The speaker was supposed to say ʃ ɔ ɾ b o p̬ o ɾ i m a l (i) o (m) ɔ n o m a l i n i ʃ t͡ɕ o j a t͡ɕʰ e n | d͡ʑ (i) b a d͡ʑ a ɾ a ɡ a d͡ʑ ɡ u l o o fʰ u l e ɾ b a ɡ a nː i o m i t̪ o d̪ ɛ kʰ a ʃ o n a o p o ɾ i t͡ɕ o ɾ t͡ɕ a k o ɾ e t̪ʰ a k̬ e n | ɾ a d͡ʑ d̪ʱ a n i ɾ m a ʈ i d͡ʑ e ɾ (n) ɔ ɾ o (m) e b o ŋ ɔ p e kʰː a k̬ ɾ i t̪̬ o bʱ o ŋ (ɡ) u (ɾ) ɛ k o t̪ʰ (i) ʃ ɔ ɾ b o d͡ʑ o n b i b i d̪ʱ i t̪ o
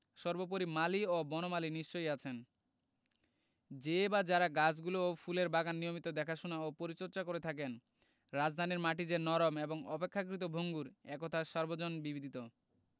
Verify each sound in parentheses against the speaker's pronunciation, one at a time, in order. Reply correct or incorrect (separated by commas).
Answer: correct, incorrect, incorrect, correct, correct, correct, correct, incorrect